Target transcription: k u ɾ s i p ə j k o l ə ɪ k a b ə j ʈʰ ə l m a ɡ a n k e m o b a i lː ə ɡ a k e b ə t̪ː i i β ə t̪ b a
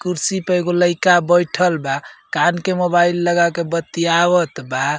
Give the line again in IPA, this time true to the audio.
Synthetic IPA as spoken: k u ɾ s i p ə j ɡ o l ə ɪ k a b ə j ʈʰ ə l b a k a n k e m o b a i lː ə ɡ a k e b ə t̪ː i a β ə t̪ b a